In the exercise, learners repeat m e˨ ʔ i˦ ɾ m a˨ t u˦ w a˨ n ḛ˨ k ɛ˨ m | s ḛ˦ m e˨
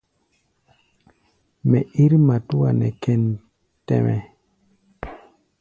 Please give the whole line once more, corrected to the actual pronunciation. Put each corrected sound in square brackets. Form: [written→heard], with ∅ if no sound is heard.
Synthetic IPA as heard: m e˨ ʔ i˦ ɾ m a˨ t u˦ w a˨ n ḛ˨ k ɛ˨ [m→n] | [s→t] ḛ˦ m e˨